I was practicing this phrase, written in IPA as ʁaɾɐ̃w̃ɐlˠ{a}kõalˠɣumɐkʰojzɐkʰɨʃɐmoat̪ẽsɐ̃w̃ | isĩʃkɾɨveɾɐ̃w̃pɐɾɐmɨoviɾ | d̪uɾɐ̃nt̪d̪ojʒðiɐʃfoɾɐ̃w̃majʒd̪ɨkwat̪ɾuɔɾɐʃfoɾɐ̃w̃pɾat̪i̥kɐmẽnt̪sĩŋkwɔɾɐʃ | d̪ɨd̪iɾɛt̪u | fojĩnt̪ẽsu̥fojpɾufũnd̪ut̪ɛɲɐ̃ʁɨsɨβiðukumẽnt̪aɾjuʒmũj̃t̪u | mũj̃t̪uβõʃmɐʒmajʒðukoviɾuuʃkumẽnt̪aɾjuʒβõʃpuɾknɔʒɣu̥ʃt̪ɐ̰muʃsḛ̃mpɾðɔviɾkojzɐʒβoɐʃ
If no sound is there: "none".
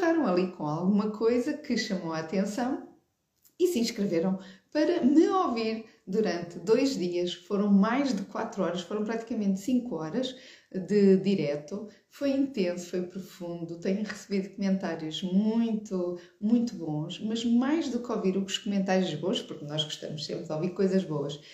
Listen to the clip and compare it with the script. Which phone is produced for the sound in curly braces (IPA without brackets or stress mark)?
i